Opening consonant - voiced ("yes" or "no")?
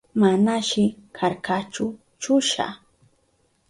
yes